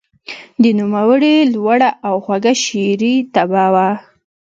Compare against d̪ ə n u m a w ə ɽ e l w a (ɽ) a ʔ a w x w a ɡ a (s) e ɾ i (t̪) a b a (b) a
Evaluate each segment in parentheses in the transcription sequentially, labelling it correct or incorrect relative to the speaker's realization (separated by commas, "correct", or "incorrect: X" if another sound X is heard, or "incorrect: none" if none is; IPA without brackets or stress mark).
correct, incorrect: ʃ, correct, incorrect: w